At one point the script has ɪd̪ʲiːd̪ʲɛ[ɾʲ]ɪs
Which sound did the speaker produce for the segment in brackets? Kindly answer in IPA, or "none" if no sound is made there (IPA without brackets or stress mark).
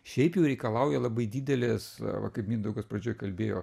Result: lʲ